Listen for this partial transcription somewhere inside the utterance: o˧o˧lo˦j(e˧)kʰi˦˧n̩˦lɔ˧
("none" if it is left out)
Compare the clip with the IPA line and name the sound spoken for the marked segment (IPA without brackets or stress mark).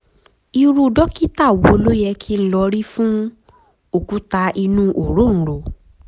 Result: ɛ˧